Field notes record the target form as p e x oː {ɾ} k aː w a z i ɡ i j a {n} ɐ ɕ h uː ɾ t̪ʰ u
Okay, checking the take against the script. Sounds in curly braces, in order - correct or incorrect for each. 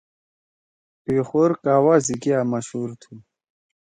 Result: correct, incorrect: m

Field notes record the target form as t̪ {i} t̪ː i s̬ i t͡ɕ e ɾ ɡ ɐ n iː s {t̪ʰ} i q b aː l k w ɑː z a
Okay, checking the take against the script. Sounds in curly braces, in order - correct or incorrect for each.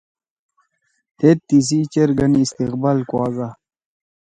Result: incorrect: e, incorrect: t̪

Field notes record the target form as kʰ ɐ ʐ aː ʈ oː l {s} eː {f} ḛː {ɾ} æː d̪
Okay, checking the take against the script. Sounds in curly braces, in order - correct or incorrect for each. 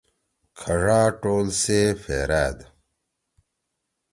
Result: correct, correct, correct

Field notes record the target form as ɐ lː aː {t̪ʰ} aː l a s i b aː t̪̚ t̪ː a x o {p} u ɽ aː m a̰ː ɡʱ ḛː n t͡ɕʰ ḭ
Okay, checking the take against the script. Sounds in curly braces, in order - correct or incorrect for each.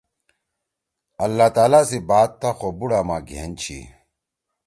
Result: incorrect: t̪, incorrect: b

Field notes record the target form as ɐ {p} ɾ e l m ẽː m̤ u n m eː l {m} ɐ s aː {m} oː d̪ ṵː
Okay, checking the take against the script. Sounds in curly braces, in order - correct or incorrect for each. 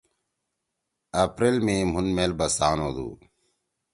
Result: correct, incorrect: b, incorrect: n

